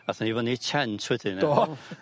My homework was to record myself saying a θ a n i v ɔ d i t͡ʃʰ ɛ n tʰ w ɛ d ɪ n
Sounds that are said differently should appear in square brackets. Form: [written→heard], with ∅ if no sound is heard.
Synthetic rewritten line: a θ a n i v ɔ [d→n] i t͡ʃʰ ɛ n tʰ w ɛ d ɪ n